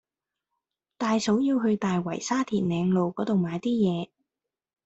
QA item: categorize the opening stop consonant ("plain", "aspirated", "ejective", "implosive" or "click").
plain